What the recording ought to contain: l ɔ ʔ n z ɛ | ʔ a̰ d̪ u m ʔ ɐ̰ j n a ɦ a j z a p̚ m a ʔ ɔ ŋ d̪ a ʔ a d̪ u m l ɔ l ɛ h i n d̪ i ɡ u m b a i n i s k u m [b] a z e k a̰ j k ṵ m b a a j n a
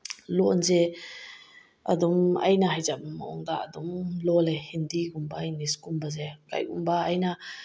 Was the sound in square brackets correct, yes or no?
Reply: yes